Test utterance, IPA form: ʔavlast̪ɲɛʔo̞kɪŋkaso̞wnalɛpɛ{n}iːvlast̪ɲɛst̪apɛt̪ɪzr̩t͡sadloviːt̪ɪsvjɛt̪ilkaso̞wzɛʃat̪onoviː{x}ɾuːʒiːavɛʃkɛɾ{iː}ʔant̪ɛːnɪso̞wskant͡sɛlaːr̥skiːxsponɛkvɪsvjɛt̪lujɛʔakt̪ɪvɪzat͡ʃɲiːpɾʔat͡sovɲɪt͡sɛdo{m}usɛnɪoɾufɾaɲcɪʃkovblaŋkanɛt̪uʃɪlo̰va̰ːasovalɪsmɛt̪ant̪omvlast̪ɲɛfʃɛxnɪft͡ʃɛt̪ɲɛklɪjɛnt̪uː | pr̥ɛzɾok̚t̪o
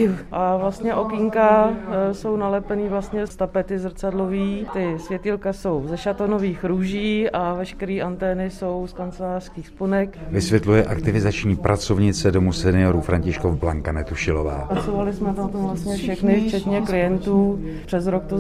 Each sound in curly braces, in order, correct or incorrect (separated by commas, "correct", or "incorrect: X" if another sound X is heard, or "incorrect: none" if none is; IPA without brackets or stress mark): correct, correct, correct, correct